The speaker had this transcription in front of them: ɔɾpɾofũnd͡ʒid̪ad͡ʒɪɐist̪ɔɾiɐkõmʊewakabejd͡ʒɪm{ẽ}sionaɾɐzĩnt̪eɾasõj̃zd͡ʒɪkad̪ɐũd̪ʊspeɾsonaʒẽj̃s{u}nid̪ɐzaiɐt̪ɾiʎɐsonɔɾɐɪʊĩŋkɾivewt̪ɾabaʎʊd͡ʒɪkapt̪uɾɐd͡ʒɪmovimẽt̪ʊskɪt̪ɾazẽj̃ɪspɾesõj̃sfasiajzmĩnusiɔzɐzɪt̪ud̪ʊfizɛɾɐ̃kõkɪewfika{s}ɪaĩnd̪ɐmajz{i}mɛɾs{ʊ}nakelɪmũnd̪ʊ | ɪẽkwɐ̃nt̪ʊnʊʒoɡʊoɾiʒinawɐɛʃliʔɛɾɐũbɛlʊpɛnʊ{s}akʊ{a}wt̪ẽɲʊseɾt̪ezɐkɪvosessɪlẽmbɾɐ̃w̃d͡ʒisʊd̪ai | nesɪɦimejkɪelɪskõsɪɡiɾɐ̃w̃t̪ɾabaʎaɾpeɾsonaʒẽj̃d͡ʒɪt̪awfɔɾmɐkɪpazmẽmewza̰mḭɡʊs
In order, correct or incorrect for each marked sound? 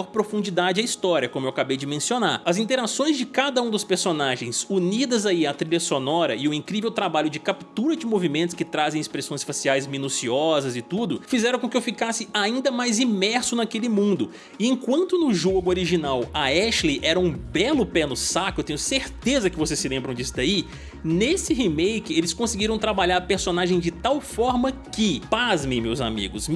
correct, correct, correct, correct, correct, correct, incorrect: e

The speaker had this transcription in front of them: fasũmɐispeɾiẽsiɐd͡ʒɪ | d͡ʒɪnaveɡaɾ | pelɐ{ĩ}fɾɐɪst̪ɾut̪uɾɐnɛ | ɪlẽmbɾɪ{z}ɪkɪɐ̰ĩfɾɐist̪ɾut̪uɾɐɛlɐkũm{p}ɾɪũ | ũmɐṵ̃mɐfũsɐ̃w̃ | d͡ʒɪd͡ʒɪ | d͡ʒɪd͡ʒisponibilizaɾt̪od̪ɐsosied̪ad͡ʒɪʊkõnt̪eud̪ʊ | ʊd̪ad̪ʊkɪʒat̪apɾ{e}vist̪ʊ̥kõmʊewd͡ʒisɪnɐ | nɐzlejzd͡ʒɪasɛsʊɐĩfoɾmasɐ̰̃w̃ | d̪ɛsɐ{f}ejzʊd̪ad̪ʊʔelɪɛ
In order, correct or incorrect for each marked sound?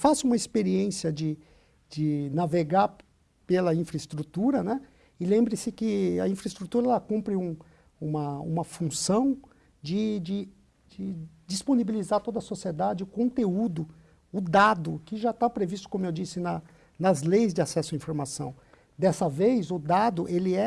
correct, incorrect: s, correct, correct, incorrect: v

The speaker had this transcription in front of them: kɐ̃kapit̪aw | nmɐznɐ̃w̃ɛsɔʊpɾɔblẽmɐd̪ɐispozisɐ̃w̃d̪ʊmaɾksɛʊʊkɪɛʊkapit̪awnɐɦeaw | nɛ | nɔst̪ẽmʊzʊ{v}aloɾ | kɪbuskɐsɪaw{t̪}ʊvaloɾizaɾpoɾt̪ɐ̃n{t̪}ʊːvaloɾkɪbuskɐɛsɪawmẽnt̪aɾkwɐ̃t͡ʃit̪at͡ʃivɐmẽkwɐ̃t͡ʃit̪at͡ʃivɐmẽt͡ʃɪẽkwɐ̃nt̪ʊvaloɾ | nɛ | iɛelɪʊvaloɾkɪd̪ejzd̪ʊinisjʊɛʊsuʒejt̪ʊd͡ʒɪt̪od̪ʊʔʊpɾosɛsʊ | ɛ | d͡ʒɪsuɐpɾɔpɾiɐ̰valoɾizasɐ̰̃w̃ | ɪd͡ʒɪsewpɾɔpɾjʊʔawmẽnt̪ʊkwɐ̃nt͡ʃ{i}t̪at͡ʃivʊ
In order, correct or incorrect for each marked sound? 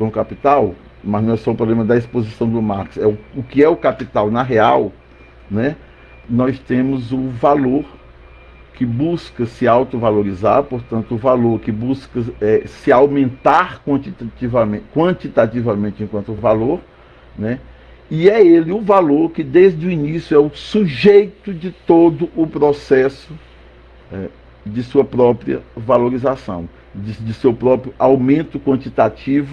correct, correct, correct, correct

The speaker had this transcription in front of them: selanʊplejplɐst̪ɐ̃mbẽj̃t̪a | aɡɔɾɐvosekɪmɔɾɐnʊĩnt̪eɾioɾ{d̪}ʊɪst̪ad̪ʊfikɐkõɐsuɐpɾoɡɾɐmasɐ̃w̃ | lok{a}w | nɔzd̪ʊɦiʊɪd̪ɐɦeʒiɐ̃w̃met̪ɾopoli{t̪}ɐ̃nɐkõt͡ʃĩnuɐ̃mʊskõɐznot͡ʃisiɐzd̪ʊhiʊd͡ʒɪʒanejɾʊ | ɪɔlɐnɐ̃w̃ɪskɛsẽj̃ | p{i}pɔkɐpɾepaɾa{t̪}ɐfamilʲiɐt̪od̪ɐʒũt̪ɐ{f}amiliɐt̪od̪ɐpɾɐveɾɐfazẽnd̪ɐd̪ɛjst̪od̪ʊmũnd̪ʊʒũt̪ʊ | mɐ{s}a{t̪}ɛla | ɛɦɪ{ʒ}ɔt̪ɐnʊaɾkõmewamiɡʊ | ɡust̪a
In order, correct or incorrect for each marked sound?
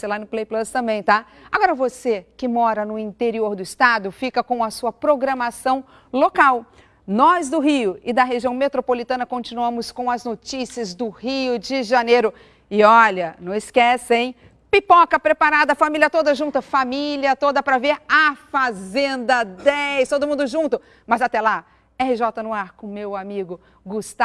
correct, correct, correct, correct, incorrect: d̪, correct, incorrect: z, correct, correct

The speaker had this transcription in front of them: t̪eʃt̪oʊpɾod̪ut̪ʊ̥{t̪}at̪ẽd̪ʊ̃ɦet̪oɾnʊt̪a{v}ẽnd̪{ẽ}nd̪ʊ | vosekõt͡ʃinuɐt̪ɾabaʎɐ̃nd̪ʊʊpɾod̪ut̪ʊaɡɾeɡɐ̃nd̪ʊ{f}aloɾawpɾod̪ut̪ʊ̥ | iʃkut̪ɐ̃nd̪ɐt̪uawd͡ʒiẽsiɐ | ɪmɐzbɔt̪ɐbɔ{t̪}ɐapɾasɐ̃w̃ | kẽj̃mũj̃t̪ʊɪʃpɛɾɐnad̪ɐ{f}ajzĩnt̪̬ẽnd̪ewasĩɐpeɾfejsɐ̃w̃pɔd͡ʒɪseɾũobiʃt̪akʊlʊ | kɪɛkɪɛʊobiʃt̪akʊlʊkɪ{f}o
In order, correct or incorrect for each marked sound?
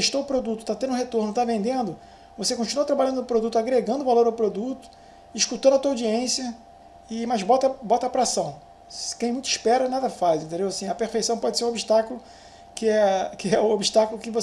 correct, correct, correct, incorrect: v, correct, correct, incorrect: v

